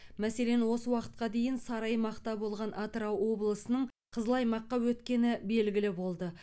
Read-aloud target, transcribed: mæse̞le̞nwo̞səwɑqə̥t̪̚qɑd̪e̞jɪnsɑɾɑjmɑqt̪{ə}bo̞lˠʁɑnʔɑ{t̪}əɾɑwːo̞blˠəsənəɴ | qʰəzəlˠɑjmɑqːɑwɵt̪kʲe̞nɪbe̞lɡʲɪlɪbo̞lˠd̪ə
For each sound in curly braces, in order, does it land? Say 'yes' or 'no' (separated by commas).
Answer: no, yes